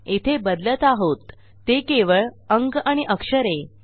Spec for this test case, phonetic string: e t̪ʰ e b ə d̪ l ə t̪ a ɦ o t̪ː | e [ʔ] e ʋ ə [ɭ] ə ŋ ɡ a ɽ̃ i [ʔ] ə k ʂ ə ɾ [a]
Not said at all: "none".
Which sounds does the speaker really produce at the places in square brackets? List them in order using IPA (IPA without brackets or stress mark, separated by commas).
k, ɭ, ʔ, e